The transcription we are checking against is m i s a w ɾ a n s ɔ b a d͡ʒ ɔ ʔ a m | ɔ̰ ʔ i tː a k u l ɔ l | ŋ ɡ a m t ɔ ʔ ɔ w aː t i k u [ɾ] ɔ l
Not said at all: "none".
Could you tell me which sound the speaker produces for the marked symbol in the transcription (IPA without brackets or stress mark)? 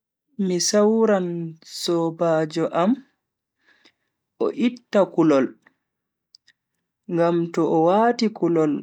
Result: l